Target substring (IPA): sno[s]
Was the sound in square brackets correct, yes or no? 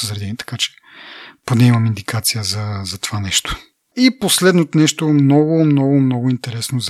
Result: no